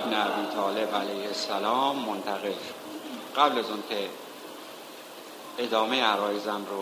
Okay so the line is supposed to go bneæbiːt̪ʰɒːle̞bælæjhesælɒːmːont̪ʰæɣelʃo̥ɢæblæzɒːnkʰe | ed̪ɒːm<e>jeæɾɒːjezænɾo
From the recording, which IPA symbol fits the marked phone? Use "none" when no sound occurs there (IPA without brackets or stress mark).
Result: e